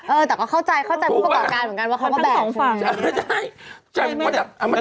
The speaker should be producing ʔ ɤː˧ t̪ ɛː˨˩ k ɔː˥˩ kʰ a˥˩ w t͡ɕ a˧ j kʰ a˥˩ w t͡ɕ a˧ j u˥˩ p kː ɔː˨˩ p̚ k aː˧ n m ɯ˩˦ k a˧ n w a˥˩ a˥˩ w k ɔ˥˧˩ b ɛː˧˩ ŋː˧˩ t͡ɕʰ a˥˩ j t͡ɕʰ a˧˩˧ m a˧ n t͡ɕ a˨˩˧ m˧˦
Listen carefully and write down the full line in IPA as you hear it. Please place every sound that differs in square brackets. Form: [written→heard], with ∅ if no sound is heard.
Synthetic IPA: ʔ ɤː˧ t̪ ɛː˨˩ k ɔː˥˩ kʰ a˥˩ w t͡ɕ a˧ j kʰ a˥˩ w t͡ɕ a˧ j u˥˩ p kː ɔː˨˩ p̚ k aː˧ n m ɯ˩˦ k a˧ n w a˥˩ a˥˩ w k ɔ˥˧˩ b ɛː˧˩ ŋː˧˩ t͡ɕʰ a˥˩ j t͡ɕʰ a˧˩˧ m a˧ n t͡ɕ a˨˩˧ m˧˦

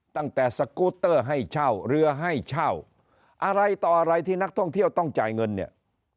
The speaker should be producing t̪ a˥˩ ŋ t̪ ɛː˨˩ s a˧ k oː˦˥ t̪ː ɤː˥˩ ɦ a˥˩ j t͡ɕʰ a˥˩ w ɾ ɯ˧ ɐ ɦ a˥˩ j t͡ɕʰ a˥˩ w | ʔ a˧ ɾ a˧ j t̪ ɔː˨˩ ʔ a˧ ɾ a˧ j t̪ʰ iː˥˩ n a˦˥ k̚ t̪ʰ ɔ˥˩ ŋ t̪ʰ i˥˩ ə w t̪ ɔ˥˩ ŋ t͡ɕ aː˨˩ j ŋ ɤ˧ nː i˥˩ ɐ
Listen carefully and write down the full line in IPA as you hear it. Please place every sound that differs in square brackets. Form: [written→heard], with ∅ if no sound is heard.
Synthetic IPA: t̪ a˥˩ ŋ t̪ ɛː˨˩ s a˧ k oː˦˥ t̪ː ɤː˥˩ ɦ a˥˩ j t͡ɕʰ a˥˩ w ɾ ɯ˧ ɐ ɦ a˥˩ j t͡ɕʰ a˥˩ w | ʔ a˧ ɾ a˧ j t̪ ɔː˨˩ ʔ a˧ ɾ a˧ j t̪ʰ iː˥˩ n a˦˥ k̚ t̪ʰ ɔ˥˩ ŋ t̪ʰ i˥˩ ə w t̪ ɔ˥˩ ŋ t͡ɕ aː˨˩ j ŋ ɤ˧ nː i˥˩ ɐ

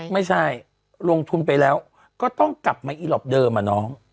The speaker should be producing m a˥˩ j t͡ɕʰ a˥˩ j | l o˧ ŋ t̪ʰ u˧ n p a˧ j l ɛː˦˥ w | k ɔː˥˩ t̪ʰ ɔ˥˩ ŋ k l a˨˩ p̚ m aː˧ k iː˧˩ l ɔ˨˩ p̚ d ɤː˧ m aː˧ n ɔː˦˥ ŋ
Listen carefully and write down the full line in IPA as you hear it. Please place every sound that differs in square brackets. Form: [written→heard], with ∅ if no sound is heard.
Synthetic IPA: m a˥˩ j t͡ɕʰ a˥˩ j | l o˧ ŋ t̪ʰ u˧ n p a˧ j l ɛː˦˥ w | k ɔː˥˩ [t̪ʰ→t̪] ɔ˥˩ ŋ k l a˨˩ p̚ m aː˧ [k→ʔ] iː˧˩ l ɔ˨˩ p̚ d ɤː˧ m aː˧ n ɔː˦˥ ŋ

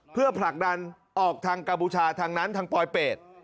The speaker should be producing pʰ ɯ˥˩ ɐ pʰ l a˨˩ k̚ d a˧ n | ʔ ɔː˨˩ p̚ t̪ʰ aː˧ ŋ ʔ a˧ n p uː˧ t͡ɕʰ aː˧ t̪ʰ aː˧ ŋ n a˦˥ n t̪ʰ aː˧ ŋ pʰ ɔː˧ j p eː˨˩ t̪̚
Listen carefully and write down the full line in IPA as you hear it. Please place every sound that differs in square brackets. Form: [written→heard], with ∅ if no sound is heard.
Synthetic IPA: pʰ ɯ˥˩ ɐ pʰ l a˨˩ k̚ d a˧ n | ʔ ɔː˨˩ [p̚→k̚] t̪ʰ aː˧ ŋ [ʔ→k] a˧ [n→m] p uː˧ t͡ɕʰ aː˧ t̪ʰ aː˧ ŋ n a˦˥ n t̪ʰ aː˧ ŋ [pʰ→p] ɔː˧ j p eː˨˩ t̪̚

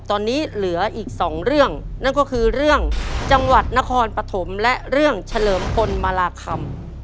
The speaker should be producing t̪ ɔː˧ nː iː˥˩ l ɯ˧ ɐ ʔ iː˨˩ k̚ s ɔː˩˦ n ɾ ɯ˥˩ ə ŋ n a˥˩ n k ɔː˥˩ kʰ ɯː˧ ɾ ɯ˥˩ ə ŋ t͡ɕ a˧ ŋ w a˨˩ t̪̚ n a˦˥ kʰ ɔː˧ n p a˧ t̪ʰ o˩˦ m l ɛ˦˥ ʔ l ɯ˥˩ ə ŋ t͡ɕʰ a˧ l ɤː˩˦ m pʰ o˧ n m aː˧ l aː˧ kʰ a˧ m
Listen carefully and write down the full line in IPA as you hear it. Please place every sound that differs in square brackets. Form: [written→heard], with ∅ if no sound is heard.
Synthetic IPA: t̪ ɔː˧ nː [iː˥˩→iː˦˥] l [ɯ˧→ɯ˩˦] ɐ ʔ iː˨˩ k̚ s ɔː˩˦ [n→ŋ] ɾ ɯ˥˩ ə ŋ n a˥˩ n k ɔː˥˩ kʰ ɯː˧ ɾ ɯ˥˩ ə ŋ t͡ɕ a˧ ŋ w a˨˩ t̪̚ n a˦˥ kʰ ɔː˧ n p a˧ t̪ʰ o˩˦ m l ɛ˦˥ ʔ [l→ɾ] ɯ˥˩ ə ŋ t͡ɕʰ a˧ l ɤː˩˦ m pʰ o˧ n m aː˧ l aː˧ kʰ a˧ m

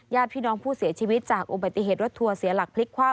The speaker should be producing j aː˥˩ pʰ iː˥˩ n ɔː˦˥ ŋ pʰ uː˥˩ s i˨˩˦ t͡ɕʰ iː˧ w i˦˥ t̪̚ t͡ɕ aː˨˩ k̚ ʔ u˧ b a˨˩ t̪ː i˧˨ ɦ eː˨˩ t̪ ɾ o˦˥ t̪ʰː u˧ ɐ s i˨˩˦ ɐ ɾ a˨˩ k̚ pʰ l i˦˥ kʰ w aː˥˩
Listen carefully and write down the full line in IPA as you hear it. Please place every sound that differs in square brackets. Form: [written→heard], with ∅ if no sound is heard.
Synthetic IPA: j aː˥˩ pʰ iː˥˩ n ɔː˦˥ ŋ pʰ uː˥˩ s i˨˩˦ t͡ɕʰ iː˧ w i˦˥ t̪̚ t͡ɕ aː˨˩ k̚ ʔ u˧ b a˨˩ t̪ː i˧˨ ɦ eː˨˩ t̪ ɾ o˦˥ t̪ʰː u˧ ɐ s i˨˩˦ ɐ [ɾ→l] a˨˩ k̚ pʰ l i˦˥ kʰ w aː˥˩

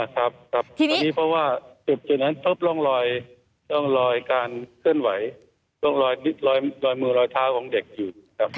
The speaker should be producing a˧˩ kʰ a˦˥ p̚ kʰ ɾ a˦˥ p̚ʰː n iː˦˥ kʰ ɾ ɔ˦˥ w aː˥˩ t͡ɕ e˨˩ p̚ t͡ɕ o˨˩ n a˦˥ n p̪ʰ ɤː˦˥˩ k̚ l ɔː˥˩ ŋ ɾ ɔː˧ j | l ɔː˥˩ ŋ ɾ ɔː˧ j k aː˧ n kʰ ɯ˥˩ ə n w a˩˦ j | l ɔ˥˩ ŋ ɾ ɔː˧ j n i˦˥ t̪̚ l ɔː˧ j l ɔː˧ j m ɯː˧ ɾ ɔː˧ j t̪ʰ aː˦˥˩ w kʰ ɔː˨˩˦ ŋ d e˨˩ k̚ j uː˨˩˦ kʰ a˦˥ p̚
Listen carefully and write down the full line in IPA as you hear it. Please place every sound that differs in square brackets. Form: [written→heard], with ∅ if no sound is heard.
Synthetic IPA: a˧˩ kʰ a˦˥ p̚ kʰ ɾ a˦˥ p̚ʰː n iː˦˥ [kʰ→pʰ] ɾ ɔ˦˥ w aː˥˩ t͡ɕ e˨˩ p̚ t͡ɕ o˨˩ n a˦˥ n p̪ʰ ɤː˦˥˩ [k̚→p̚] l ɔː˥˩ ŋ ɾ ɔː˧ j | l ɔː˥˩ ŋ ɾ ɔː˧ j k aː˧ n kʰ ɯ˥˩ ə n w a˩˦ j | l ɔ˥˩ ŋ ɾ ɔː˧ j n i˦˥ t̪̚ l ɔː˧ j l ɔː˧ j m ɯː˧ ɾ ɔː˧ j t̪ʰ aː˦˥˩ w kʰ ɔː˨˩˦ ŋ d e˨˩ k̚ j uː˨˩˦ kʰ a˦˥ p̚

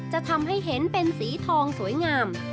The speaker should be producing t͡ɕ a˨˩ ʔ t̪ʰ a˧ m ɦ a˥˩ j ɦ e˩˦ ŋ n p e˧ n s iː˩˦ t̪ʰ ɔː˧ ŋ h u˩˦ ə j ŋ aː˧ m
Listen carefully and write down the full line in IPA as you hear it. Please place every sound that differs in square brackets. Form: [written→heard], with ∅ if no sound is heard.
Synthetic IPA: t͡ɕ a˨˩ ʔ t̪ʰ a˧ m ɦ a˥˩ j ɦ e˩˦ [ŋ→∅] n p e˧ n s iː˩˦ t̪ʰ ɔː˧ ŋ [h→s] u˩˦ ə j ŋ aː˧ m

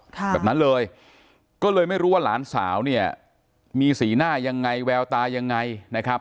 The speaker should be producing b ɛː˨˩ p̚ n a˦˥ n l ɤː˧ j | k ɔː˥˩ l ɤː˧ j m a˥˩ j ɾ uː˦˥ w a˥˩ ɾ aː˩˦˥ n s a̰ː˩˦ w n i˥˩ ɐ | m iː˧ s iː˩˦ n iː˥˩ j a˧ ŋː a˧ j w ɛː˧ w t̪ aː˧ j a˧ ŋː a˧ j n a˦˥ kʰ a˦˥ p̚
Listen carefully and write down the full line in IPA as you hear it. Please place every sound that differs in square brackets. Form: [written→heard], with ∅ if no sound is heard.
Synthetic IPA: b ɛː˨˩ p̚ n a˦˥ n l ɤː˧ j | k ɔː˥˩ l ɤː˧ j m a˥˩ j ɾ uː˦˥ w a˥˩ [ɾ→l] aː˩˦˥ n s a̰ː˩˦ w n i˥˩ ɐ | m iː˧ s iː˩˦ n [iː˥˩→aː˥˩] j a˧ ŋː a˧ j w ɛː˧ w t̪ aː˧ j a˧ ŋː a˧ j n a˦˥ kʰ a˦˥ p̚

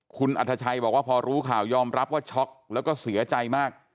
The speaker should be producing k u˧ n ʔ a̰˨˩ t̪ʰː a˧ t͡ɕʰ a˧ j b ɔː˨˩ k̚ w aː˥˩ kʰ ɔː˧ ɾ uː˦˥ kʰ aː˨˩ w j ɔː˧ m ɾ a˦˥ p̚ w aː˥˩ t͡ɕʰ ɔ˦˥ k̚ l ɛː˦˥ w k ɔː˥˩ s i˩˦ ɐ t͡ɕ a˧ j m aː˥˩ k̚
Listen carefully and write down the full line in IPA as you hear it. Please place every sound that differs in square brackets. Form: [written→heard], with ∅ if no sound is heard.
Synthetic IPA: [k→kʰ] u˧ n ʔ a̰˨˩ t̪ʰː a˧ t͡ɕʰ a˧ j b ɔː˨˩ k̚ w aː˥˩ [kʰ→pʰ] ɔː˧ ɾ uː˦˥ kʰ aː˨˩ w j ɔː˧ m ɾ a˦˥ p̚ w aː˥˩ t͡ɕʰ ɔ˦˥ k̚ l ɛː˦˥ w k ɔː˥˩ s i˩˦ ɐ t͡ɕ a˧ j m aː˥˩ k̚

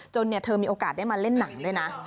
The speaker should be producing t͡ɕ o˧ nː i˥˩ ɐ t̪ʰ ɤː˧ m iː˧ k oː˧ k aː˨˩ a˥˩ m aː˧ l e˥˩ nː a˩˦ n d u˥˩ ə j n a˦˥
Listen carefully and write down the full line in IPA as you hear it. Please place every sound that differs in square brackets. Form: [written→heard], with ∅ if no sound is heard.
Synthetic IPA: t͡ɕ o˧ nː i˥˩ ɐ t̪ʰ ɤː˧ m iː˧ [k→ʔ] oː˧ k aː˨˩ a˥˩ m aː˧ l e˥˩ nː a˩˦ [n→ŋ] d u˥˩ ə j n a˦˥

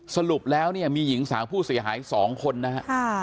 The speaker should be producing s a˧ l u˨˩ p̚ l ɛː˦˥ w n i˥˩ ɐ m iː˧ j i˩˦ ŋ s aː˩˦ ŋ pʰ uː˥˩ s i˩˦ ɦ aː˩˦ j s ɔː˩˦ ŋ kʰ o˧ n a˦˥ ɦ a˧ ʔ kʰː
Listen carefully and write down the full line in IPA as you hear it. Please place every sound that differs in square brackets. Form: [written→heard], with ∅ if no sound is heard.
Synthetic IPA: s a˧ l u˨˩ p̚ l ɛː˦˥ w n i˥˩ ɐ m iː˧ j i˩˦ ŋ s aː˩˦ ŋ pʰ uː˥˩ s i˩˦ ɦ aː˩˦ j s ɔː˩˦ ŋ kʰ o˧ [n→nː] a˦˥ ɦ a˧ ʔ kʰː

